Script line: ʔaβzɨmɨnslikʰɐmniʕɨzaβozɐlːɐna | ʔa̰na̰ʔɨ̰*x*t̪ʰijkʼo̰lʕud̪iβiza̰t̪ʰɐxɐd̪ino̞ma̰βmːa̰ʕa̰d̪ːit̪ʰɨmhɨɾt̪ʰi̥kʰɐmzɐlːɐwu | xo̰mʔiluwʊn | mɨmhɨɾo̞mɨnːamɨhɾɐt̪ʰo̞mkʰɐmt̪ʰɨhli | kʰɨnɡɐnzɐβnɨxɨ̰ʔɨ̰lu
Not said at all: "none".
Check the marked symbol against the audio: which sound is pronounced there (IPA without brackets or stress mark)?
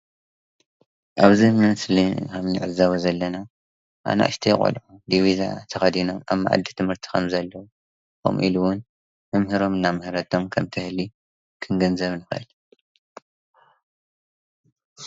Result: ʃ